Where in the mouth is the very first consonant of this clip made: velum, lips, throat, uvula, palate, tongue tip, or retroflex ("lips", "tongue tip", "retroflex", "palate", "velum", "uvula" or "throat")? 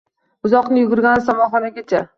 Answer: tongue tip